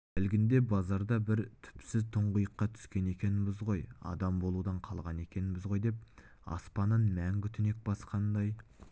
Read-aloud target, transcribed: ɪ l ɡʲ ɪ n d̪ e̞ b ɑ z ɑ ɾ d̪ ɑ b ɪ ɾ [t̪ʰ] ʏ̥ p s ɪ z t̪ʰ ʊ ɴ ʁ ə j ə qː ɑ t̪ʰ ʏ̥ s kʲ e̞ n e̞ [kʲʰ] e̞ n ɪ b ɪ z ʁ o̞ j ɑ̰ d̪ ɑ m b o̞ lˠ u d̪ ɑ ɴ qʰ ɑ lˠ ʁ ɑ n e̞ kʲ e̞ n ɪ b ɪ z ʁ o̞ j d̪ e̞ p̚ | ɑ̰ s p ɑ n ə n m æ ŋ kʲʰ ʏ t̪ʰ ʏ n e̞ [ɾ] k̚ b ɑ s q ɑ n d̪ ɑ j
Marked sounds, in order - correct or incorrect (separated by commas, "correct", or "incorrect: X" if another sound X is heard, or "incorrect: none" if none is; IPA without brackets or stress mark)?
correct, incorrect: kʲ, incorrect: none